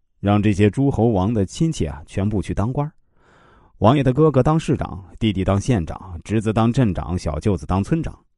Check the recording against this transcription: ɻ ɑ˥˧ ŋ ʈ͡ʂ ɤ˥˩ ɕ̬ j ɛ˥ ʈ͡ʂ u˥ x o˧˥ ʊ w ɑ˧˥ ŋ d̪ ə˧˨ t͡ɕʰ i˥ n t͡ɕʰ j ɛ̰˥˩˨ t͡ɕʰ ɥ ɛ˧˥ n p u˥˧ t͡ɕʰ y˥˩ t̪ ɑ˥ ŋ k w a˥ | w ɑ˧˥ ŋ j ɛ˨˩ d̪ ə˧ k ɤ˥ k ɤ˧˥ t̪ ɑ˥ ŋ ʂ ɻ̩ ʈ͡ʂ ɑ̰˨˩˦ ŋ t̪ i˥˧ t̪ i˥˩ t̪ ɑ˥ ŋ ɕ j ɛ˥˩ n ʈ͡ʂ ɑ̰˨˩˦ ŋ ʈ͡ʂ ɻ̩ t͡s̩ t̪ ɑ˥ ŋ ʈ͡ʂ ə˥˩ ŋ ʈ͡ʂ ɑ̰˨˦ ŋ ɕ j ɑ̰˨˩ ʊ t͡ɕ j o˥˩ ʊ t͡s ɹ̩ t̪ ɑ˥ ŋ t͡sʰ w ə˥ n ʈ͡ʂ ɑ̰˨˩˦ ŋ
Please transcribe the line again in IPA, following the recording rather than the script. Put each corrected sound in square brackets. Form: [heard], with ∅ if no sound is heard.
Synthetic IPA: ɻ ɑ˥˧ ŋ ʈ͡ʂ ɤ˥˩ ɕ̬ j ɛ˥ ʈ͡ʂ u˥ x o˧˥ ʊ w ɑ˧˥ ŋ d̪ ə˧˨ t͡ɕʰ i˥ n t͡ɕʰ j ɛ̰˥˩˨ t͡ɕʰ ɥ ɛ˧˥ n p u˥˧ t͡ɕʰ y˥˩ t̪ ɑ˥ ŋ k w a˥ | w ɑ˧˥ ŋ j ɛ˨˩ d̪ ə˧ k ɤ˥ k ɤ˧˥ t̪ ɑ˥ ŋ ʂ ɻ̩ ʈ͡ʂ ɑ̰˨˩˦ ŋ t̪ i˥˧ t̪ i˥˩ t̪ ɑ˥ ŋ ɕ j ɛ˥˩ n ʈ͡ʂ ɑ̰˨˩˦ ŋ ʈ͡ʂ ɻ̩ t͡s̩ t̪ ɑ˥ ŋ ʈ͡ʂ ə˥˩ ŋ ʈ͡ʂ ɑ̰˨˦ ŋ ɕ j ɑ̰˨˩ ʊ t͡ɕ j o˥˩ ʊ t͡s ɹ̩ t̪ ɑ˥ ŋ t͡sʰ w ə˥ n ʈ͡ʂ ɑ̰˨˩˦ ŋ